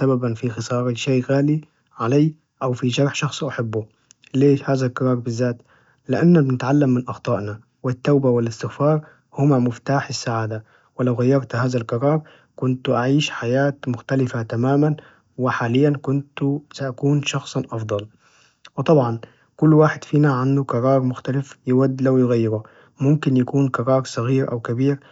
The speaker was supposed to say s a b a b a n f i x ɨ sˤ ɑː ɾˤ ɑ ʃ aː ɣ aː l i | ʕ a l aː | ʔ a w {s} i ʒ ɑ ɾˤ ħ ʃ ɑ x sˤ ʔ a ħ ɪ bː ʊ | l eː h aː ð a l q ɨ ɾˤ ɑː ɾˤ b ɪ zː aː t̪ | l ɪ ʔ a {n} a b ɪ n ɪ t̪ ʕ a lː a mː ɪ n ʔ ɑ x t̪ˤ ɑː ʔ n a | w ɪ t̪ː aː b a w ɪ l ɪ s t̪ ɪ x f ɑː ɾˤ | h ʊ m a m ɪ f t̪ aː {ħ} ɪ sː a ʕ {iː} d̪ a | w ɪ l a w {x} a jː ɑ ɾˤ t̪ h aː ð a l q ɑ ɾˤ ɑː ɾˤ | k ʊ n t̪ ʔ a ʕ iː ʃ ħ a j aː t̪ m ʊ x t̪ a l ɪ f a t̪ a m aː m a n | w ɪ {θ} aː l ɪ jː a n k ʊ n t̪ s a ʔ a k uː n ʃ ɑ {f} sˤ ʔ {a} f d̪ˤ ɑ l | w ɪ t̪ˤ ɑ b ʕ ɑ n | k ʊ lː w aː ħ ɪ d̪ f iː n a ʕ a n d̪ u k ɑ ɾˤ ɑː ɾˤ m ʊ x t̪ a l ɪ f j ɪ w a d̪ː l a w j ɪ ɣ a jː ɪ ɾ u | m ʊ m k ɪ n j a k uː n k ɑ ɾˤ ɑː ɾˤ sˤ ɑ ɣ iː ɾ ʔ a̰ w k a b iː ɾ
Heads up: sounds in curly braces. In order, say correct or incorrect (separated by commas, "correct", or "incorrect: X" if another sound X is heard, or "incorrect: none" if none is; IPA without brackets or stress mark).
incorrect: f, incorrect: nː, correct, incorrect: aː, incorrect: ɣ, incorrect: ħ, incorrect: x, incorrect: ɑ